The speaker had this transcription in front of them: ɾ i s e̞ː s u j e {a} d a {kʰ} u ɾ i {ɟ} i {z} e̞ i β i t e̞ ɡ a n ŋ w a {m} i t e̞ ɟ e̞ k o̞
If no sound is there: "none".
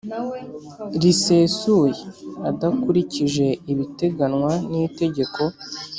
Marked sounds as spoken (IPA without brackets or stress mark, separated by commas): a, k, c, ʒ, n